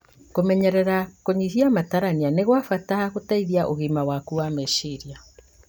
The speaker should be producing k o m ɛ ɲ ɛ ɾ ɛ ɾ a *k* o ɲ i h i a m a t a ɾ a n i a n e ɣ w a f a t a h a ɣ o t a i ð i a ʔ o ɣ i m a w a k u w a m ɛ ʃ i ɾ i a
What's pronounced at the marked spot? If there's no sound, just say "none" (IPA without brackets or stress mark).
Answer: k